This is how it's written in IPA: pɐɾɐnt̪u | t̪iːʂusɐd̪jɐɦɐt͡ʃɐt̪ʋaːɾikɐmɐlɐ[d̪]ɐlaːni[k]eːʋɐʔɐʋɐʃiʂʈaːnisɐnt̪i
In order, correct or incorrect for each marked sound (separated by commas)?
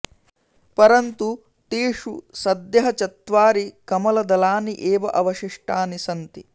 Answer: correct, incorrect